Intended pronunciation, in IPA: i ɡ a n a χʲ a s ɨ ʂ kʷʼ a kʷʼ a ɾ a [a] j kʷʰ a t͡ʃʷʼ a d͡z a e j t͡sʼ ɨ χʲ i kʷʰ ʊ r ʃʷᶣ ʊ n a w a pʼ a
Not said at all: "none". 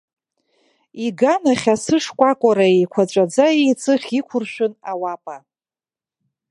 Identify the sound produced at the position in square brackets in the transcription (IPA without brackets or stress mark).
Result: e